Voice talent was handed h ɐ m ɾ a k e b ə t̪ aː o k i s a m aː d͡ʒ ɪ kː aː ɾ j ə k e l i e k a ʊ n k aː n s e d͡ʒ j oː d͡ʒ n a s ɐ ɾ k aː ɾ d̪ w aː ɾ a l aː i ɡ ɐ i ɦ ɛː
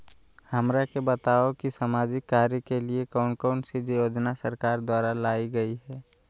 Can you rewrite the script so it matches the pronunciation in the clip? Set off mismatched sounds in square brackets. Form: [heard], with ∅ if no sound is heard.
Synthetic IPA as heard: h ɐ m ɾ a k e b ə t̪ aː o k i s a m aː d͡ʒ ɪ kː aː ɾ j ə k e l i e k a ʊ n k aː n s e d͡ʒ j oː d͡ʒ n a s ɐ ɾ k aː ɾ d̪ w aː ɾ a l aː i ɡ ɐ i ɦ ɛː

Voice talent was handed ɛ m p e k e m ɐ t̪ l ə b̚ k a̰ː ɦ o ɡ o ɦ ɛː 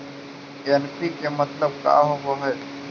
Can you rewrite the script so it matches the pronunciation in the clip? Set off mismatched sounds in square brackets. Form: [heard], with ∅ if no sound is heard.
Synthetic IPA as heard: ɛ [n] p [i] k e m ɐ t̪ l ə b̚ k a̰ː ɦ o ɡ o ɦ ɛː

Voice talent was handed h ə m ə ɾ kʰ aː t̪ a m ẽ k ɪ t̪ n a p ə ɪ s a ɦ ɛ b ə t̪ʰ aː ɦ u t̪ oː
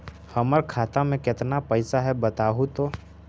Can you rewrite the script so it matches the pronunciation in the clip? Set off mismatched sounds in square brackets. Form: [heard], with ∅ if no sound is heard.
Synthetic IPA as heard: h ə m ə ɾ kʰ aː t̪ a m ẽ k ɪ t̪ n a p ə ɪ s a ɦ ɛ b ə [t̪] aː ɦ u t̪ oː

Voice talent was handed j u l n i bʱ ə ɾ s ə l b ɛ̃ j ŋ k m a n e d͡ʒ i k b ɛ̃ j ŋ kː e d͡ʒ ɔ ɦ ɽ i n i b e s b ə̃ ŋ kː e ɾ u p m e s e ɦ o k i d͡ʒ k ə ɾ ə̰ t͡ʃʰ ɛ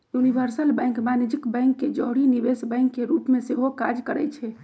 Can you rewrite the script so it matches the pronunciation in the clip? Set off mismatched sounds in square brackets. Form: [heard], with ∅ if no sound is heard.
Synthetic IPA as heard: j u [∅] n i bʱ ə ɾ s ə l b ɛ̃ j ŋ k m a n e d͡ʒ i k b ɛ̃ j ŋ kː e d͡ʒ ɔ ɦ ɽ i n i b e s b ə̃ ŋ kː e ɾ u p m e s e ɦ o k [a] d͡ʒ k ə ɾ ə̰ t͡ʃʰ ɛ

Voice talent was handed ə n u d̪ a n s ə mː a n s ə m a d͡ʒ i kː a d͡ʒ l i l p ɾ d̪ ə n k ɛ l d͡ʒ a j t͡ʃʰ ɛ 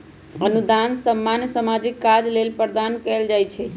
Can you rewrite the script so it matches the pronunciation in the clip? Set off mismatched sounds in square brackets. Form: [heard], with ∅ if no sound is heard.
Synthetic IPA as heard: ə n u d̪ a n s ə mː a n s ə m a d͡ʒ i kː a d͡ʒ l [e] l p ɾ d̪ [a] n k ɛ l d͡ʒ a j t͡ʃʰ ɛ

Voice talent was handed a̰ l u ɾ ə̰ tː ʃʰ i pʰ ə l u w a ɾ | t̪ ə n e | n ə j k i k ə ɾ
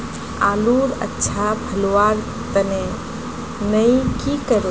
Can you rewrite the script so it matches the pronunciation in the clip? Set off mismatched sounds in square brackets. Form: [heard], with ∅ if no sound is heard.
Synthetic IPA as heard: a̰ l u ɾ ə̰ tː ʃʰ [a] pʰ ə l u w a ɾ | t̪ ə n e | n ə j k i k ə ɾ

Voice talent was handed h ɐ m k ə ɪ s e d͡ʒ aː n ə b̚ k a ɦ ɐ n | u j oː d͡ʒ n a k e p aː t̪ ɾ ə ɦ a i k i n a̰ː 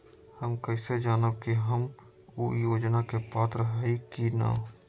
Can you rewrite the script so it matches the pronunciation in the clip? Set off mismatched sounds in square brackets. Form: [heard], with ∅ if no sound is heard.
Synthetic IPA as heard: h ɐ m k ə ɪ s e d͡ʒ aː n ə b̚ k [i] ɦ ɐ [m] | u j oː d͡ʒ n a k e p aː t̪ ɾ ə ɦ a i k i n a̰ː

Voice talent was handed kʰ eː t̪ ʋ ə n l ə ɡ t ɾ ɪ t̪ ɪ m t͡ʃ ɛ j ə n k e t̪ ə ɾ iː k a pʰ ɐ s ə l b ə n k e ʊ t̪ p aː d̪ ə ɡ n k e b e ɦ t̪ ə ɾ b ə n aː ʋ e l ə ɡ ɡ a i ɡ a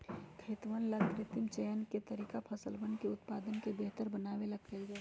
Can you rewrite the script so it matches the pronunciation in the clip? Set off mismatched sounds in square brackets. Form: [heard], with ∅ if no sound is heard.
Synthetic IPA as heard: kʰ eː t̪ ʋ ə n l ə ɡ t ɾ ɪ t̪ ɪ m t͡ʃ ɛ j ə n k e t̪ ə ɾ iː k a pʰ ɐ s ə l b ə n k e ʊ t̪ p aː d̪ ə [∅] n k e b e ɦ t̪ ə ɾ b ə n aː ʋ e l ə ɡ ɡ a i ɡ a

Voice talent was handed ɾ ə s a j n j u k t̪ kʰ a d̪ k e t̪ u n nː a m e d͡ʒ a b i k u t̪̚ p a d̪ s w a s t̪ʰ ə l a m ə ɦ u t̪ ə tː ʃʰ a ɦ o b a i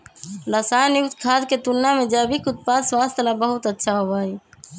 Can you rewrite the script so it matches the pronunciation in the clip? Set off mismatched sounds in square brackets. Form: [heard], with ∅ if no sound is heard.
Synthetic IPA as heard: ɾ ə s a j n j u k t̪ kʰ a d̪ k e t̪ u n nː a m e d͡ʒ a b i k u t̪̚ p a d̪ s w a s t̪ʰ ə l a [b] ə ɦ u t̪ ə tː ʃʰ a ɦ o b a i

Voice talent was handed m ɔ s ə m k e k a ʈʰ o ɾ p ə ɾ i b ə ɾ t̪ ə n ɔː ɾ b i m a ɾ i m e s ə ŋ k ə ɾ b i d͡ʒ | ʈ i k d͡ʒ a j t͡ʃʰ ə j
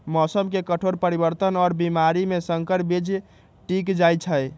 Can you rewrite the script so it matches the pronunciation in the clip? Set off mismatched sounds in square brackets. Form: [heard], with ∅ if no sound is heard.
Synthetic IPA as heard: m ɔ s ə m k e k [ə] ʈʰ o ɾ p ə ɾ i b ə ɾ t̪ ə n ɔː ɾ b i m a ɾ i m e s ə ŋ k ə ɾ b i d͡ʒ | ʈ i k d͡ʒ a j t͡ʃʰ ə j

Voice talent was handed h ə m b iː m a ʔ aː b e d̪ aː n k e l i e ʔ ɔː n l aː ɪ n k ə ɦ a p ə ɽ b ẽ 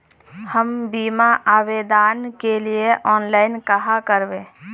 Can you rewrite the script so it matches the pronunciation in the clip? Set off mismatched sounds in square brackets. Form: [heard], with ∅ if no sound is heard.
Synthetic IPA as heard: h ə m b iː m a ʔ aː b e d̪ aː n k e l i e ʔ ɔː n l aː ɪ n k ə ɦ a [k] ə [ɾ] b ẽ

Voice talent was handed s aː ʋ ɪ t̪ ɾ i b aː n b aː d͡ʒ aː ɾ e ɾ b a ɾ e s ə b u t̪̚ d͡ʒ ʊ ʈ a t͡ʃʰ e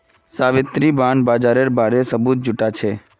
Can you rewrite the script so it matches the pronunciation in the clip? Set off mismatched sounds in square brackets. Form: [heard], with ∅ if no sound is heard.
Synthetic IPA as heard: s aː ʋ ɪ t̪ ɾ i b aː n b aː d͡ʒ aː ɾ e ɾ b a ɾ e s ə b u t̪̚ d͡ʒ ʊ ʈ a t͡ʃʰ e

